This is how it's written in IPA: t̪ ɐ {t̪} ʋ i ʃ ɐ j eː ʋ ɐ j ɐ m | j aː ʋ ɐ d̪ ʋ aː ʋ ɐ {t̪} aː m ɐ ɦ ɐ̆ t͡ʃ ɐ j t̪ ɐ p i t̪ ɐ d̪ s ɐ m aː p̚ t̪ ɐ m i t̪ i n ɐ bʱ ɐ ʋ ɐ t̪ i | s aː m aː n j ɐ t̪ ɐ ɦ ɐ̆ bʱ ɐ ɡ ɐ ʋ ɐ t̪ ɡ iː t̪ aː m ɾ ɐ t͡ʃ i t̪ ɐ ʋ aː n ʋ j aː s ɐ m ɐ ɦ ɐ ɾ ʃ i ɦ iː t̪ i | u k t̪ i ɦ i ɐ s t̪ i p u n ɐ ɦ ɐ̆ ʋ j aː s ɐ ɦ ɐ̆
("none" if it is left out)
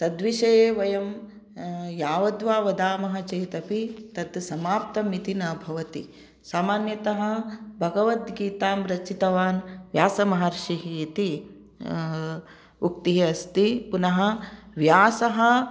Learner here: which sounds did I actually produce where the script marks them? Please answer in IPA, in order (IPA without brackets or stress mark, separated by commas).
d̪, d̪